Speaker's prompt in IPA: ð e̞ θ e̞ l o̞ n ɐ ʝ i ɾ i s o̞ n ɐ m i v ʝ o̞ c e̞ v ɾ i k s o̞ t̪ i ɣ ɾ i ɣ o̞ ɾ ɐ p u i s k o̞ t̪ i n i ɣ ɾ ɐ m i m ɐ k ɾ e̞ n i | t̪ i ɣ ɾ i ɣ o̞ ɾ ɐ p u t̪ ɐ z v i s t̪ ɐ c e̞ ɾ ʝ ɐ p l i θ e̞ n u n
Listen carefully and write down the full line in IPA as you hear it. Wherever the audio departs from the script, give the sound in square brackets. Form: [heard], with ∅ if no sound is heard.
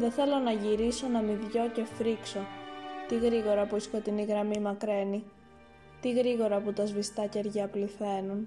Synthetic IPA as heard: ð e̞ θ e̞ l o̞ n ɐ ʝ i ɾ i s o̞ n ɐ m i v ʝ o̞ c e̞ [f] ɾ i k s o̞ t̪ i ɣ ɾ i ɣ o̞ ɾ ɐ p u i s k o̞ t̪ i n i ɣ ɾ ɐ m i m ɐ k ɾ e̞ n i | t̪ i ɣ ɾ i ɣ o̞ ɾ ɐ p u t̪ ɐ z v i s t̪ ɐ c e̞ ɾ ʝ ɐ p l i θ e̞ n u n